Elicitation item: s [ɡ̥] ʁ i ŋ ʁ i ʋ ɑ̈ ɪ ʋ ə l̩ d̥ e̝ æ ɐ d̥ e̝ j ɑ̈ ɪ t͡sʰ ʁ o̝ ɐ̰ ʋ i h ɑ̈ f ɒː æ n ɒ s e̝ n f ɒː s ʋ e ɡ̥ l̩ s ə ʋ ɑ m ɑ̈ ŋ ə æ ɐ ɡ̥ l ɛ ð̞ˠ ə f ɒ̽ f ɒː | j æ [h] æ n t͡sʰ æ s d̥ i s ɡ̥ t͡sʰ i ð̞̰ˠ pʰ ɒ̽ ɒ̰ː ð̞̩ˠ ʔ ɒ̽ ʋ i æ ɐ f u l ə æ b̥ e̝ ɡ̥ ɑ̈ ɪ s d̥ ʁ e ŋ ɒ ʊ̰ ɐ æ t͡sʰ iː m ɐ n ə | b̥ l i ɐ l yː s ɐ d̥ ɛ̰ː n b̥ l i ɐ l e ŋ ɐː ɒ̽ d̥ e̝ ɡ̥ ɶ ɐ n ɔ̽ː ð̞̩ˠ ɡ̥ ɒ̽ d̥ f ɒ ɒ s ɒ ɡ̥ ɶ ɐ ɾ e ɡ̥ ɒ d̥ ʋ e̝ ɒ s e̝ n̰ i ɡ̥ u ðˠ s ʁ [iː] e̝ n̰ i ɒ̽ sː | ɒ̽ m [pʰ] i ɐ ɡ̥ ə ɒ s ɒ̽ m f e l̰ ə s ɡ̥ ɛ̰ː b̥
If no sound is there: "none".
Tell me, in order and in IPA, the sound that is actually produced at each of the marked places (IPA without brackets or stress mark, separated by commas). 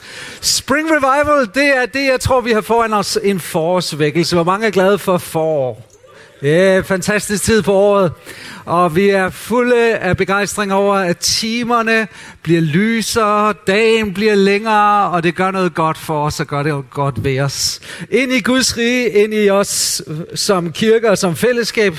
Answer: b̥, f, iː, kʰ